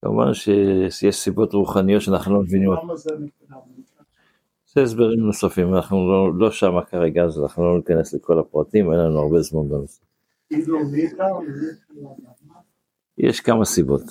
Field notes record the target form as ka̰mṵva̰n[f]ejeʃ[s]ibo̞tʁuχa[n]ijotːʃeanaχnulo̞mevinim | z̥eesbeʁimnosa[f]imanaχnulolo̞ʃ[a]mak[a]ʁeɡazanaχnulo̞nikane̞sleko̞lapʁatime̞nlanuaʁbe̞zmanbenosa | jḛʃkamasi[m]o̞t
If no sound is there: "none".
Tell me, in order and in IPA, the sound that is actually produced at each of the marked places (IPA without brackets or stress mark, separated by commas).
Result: ʃ, s, n, f, a, a, b